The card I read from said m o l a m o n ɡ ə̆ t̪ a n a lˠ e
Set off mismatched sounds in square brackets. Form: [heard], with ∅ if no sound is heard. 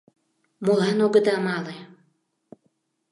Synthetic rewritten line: m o l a [n] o [∅] ɡ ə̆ [d̪] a [m] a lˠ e